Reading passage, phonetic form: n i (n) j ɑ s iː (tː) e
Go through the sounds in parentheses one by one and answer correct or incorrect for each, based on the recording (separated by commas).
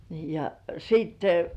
incorrect, correct